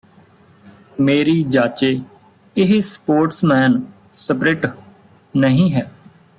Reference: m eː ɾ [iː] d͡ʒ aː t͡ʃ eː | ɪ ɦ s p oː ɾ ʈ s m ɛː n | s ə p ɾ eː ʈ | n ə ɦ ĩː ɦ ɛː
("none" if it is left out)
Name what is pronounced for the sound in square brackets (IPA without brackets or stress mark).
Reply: iː